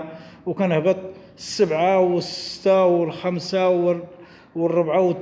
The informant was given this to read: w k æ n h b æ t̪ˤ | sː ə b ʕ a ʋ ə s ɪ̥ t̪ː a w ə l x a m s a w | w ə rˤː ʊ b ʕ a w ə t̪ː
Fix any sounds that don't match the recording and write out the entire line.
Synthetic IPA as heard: w k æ n h b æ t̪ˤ | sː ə b ʕ a w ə s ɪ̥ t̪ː a w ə l x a m s a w | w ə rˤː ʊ b ʕ a w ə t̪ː

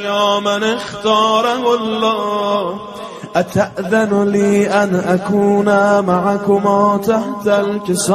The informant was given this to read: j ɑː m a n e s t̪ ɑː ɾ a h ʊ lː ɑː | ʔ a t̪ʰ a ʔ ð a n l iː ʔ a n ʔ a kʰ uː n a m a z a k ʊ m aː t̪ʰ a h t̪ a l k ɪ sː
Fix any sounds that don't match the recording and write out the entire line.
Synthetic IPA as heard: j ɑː m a n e x t̪ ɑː ɾ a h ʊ lː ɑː | ʔ a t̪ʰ a ʔ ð a n l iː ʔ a n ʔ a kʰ uː n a m a ʕ a k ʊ m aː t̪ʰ a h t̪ a l k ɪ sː

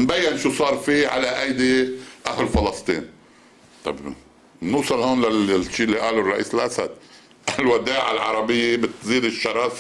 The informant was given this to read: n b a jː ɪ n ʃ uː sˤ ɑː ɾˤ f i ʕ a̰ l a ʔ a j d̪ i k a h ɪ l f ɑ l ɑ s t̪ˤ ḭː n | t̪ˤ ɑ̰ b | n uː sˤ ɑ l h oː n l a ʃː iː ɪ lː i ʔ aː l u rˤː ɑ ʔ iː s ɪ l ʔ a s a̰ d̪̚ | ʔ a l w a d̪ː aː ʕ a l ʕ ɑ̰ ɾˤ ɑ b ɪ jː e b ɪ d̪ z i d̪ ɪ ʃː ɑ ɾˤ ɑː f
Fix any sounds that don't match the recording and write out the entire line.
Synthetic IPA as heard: n b a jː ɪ n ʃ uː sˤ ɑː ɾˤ f i ʕ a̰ l a ʔ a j d̪ i ʔ a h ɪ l f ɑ l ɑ s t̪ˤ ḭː n | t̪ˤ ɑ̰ b | n uː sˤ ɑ l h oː n l a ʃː iː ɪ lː i ʔ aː l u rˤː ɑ ʔ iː s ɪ l ʔ a s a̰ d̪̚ | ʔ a l w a d̪ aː ʕ a l ʕ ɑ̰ ɾˤ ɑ b ɪ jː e b ɪ t̪ z iː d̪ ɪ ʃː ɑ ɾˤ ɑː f

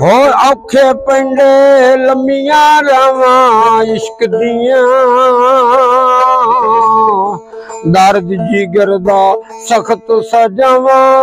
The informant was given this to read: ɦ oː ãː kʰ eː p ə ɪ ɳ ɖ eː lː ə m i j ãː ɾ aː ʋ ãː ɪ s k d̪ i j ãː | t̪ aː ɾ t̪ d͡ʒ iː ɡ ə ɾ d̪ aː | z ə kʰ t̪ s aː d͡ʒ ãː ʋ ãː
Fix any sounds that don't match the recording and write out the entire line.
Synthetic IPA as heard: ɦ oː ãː kʰ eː p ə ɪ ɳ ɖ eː l ə m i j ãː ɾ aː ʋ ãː ɪ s k d̪ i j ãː | d̪ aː ɾ d̪ d͡ʒ iː ɡ ə ɾ d̪ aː | s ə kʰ t̪ s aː d͡ʒ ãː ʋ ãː

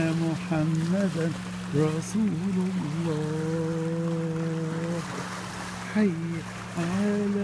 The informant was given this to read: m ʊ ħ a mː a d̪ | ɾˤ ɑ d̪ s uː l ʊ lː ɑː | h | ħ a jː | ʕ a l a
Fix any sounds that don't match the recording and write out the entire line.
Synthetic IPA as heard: m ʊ ħ a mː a d̪ | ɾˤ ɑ s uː l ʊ lː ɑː | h | ħ a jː | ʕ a l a

